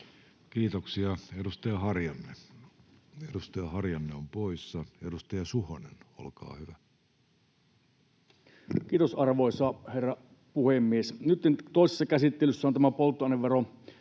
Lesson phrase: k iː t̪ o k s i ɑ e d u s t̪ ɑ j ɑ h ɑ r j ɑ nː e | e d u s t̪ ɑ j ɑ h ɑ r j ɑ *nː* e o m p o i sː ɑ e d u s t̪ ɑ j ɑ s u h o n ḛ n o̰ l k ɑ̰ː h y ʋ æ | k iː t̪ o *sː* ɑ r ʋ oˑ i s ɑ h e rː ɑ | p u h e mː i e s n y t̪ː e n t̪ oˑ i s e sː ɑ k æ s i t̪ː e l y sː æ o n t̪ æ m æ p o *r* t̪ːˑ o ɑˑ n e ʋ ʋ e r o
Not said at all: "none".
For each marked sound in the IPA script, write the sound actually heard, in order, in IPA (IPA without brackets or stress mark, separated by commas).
nː, s, l